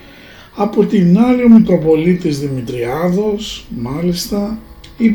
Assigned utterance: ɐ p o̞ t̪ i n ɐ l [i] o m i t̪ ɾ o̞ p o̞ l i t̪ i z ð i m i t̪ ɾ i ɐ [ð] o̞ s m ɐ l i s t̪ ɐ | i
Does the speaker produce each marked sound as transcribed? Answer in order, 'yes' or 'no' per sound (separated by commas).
yes, yes